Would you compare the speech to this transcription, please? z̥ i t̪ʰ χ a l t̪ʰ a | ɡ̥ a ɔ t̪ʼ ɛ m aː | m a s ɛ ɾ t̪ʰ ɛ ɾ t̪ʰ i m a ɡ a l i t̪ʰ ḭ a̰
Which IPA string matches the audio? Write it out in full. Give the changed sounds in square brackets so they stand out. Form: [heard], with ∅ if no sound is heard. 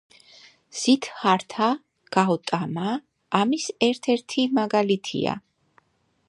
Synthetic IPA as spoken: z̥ i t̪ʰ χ a [ɾ] t̪ʰ a | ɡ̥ a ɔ t̪ʼ [a] m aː | m [i] s ɛ ɾ t̪ʰ ɛ ɾ t̪ʰ i m a ɡ a l i t̪ʰ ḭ a̰